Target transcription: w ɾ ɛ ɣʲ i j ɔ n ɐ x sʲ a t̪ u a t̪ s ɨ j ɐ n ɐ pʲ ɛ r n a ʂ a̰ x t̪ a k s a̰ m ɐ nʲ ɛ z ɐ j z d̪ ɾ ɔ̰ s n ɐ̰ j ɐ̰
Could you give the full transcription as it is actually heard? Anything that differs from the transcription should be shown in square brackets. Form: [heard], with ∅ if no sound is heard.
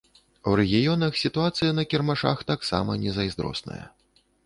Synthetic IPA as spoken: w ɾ ɛ ɣʲ i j ɔ n ɐ x sʲ [i] t̪ u a t̪ s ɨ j ɐ n ɐ [kʲ] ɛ r [m] a ʂ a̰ x t̪ a k s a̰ m ɐ nʲ ɛ z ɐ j z d̪ ɾ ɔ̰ s n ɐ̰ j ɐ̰

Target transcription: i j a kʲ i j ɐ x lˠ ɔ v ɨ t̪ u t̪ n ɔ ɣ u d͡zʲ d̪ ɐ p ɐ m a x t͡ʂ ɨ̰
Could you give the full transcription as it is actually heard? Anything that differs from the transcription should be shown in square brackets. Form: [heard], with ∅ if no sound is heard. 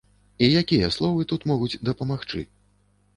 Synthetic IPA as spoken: i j a kʲ i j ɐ [s] lˠ ɔ v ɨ t̪ u t̪ [m] ɔ ɣ u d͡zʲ d̪ ɐ p ɐ m a x t͡ʂ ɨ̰

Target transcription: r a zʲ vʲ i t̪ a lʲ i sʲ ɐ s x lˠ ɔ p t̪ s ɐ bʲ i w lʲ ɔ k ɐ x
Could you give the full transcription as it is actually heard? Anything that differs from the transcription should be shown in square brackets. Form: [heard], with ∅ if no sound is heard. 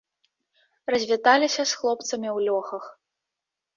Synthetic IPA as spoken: r [ɐ] zʲ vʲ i t̪ a lʲ i sʲ ɐ s x lˠ ɔ p t̪ s ɐ [mʲ] i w lʲ ɔ [x] ɐ x

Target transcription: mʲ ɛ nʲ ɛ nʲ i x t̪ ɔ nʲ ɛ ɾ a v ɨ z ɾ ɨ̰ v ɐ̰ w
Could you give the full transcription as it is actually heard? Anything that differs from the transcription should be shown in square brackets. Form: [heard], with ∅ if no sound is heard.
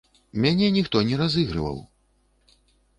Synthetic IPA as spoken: mʲ [a] nʲ ɛ nʲ i x t̪ ɔ nʲ ɛ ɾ a [z] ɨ [ɣ] ɾ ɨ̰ v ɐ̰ w

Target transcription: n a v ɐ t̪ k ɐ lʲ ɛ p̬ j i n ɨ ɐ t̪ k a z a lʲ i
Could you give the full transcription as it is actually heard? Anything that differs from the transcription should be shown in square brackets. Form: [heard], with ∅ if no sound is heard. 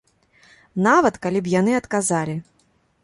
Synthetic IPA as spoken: n a v ɐ t̪ k [a] lʲ [i] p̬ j [a] n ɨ ɐ t̪ k a z a lʲ i

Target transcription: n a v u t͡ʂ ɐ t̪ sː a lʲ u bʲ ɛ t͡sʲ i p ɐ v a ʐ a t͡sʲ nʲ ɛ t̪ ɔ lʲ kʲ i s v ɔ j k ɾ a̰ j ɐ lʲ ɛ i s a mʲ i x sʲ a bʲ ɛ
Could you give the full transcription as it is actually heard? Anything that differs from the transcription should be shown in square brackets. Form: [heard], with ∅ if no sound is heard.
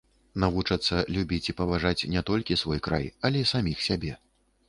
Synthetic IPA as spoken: n a v u t͡ʂ ɐ t̪ sː [ɐ] lʲ u bʲ [i] t͡sʲ i p ɐ v a ʐ a t͡sʲ nʲ ɛ t̪ ɔ lʲ kʲ i s v ɔ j k ɾ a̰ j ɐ lʲ ɛ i s a mʲ i x sʲ a bʲ ɛ

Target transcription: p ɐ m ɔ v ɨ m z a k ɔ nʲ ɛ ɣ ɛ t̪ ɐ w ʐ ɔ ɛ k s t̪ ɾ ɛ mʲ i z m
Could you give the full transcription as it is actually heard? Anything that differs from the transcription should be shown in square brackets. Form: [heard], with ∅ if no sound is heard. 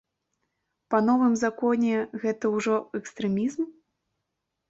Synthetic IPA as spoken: p ɐ [n] ɔ v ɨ m z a k ɔ nʲ ɛ ɣ ɛ t̪ ɐ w ʐ ɔ ɛ k s t̪ ɾ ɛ mʲ i z m

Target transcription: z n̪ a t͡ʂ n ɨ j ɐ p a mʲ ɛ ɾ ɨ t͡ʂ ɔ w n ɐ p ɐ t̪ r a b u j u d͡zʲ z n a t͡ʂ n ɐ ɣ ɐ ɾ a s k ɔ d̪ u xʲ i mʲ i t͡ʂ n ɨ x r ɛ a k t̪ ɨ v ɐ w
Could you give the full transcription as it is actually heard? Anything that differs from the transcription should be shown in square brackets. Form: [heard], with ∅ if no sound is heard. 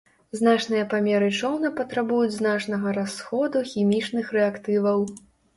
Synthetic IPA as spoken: z n̪ a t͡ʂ n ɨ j ɐ p a mʲ ɛ ɾ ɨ t͡ʂ ɔ w n ɐ p ɐ t̪ [ɾ] a b u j u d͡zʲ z n a t͡ʂ n ɐ ɣ ɐ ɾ a s [x] ɔ d̪ u xʲ i mʲ i t͡ʂ n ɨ x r ɛ a k t̪ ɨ v ɐ w

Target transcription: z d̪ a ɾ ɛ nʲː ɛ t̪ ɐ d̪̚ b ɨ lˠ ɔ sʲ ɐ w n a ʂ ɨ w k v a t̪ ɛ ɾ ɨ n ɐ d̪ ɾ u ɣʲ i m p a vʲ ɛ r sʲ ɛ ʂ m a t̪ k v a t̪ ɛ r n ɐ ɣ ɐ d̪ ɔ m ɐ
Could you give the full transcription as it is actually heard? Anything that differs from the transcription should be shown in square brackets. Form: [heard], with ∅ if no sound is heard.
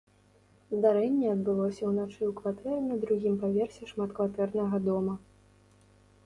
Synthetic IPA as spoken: z d̪ a ɾ ɛ nʲː ɛ [∅] ɐ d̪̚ b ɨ lˠ ɔ sʲ ɐ w n a [t͡ʂ] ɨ w k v a t̪ ɛ ɾ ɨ n ɐ d̪ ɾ u ɣʲ i m p a vʲ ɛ r sʲ ɛ ʂ m a t̪ k v a t̪ ɛ r n ɐ ɣ ɐ d̪ ɔ m ɐ

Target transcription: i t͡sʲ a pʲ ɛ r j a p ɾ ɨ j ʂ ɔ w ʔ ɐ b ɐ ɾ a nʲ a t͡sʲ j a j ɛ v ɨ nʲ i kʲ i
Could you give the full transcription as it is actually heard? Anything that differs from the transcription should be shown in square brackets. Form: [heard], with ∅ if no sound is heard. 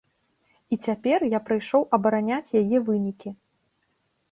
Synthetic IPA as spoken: i t͡sʲ a pʲ ɛ r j a p ɾ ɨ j ʂ ɔ w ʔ ɐ b ɐ ɾ a nʲ a t͡sʲ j a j ɛ v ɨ nʲ i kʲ i

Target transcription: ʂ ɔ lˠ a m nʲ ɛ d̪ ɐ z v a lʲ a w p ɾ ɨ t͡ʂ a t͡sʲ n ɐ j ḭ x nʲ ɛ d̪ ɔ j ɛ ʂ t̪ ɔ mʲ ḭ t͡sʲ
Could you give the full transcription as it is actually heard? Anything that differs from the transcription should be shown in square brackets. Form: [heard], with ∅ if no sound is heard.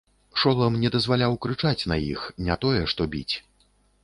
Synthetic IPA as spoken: ʂ ɔ lˠ [ɐ] m nʲ ɛ d̪ ɐ z v a lʲ a w [k] ɾ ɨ t͡ʂ a t͡sʲ n ɐ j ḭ x nʲ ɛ [t̪] ɔ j ɛ ʂ t̪ ɔ [bʲ] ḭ t͡sʲ

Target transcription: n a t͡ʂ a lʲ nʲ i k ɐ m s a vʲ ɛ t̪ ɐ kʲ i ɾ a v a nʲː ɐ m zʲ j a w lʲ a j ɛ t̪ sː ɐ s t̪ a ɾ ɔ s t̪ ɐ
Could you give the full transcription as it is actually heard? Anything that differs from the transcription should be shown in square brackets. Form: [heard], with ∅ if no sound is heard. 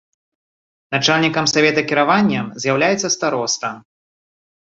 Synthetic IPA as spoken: n a t͡ʂ a lʲ nʲ i k ɐ m s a vʲ ɛ t̪ ɐ kʲ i ɾ a v a nʲː ɐ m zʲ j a w lʲ a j ɛ t̪ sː ɐ s t̪ a ɾ ɔ s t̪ ɐ

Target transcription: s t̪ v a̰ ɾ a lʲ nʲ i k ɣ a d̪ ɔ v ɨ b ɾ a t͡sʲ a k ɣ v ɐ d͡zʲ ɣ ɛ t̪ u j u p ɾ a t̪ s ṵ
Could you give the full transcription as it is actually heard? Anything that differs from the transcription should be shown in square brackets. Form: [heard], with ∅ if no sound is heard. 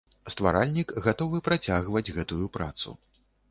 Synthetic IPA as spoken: s t̪ v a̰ ɾ a lʲ nʲ i k ɣ a [t̪] ɔ v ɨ [p] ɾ a t͡sʲ a [∅] ɣ v ɐ d͡zʲ ɣ ɛ t̪ u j u p ɾ a t̪ s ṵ

